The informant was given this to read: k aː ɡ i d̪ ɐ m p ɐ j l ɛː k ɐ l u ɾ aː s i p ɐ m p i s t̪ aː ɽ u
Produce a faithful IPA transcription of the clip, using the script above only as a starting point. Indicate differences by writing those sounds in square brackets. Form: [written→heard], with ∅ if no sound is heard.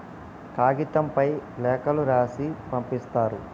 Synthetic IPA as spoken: k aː ɡ i [d̪→t̪] ɐ m p ɐ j l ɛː k ɐ l u ɾ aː s i p ɐ m p i s t̪ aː [ɽ→ɾ] u